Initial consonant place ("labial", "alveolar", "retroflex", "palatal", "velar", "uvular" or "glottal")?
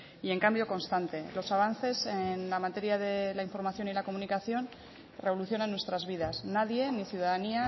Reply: velar